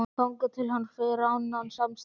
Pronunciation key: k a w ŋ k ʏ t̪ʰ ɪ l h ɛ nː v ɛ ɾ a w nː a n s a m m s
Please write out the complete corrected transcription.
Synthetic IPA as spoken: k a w ŋ k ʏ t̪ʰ ɪ l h a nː f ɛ ɾ a w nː a n s a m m s

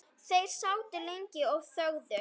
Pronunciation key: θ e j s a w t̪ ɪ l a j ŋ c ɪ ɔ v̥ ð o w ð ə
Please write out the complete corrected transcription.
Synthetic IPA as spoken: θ e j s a w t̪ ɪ l e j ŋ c ɪ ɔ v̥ θ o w ð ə

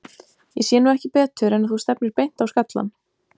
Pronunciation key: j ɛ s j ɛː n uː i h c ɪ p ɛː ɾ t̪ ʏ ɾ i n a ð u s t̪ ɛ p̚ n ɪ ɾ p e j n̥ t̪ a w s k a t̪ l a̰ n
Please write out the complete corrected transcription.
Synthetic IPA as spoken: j ɛ s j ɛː n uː ɛ h c ɪ p ɛː t̪ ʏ ɾ ɛ n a θ u s t̪ ɛ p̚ n ɪ ɾ p e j n̥ t̪ a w s k a t̪ l a̰ n

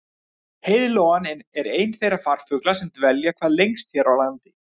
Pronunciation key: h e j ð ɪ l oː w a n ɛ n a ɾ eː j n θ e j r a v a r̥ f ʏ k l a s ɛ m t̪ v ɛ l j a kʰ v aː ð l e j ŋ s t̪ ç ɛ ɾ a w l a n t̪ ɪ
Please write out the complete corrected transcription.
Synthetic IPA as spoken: h e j ð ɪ l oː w a n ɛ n ɛ ɾ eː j n θ e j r a f a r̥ f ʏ k l a s ɛ m t̪ v ɛ l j a kʰ v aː ð l e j ŋ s t̪ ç ɛ ɾ a w l a n t̪ ɪ

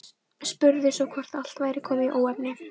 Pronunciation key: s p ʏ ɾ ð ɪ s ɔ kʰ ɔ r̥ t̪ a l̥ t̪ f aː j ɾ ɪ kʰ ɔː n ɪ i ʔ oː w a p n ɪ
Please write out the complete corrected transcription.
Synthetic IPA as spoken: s p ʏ ɾ ð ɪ s ɔ kʰ ɔ r̥ t̪ a l̥ t̪ v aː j ɾ ɪ kʰ ɔː m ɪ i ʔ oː w ɛ p n ɪ

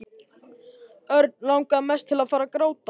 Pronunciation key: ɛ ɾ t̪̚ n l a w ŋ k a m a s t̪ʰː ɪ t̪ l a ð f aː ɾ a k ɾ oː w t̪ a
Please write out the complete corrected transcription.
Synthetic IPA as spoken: œ ɾ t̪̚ n l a w ŋ k a m ɛ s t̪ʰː ɪ l a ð f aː ɾ a k ɾ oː w t̪ a

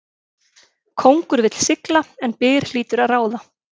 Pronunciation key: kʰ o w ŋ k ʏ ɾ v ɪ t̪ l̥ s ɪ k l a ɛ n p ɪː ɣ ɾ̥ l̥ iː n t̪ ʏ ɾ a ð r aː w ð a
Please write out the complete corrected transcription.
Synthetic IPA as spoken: kʰ o w ŋ k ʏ ɾ v ɪ t̪ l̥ s ɪ k l a ɛ n p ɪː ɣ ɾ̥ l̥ iː t̪ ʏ ɾ a ð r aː w ð a

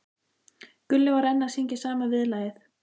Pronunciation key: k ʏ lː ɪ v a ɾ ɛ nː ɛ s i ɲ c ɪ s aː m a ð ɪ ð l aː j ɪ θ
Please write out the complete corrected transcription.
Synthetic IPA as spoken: k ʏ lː ɪ v a ɾ ɛ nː a s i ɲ c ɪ s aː m a v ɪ ð l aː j ɪ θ

